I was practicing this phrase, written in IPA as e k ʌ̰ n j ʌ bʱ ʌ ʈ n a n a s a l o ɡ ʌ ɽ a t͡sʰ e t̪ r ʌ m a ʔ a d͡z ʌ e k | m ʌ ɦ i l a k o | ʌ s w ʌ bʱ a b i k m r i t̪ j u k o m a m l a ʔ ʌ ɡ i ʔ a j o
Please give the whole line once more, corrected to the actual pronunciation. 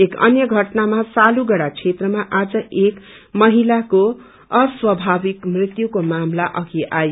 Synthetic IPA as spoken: e k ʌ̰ n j ʌ ɡʱ ʌ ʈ n a m a s a l u ɡ ʌ ɽ a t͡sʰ e t̪ r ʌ m a ʔ a d͡z ʌ e k | m ʌ ɦ i l a k o | ʌ s w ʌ bʱ a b i k m r i t̪ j u k o m a m l a ʔ ʌ ɡ i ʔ a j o